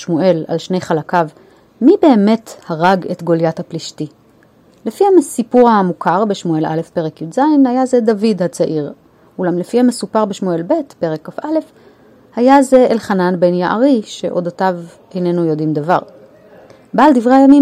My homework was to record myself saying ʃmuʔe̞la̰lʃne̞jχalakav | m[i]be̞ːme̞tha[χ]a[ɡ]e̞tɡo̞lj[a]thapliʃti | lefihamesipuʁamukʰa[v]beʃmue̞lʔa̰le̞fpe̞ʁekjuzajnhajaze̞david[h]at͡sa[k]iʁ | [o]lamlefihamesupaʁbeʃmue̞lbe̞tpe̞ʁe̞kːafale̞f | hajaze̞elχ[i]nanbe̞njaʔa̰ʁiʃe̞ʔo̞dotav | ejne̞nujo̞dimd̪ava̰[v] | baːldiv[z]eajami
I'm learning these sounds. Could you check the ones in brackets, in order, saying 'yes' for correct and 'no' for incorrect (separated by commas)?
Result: yes, no, yes, yes, no, yes, no, no, no, no, no